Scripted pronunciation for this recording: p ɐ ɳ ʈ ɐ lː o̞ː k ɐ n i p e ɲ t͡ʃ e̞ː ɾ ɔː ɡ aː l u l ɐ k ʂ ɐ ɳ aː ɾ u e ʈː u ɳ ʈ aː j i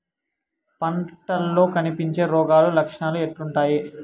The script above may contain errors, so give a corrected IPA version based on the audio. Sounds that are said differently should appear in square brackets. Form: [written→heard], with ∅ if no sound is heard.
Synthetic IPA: p ɐ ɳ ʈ ɐ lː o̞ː k ɐ n i p [e→i] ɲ t͡ʃ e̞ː ɾ ɔː ɡ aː l u l ɐ k ʂ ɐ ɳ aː [ɾ→l] u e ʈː u ɳ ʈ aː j i